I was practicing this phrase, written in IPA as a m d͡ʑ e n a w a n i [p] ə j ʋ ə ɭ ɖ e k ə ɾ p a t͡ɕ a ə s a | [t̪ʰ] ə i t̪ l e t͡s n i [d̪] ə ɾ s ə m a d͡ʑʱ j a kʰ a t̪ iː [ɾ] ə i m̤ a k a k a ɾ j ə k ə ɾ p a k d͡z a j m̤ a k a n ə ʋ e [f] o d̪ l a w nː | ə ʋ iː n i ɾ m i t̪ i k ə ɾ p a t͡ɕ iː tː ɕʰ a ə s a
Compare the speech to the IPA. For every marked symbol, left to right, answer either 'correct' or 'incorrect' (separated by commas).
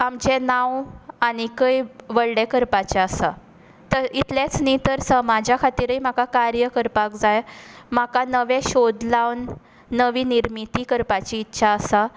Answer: incorrect, incorrect, incorrect, correct, incorrect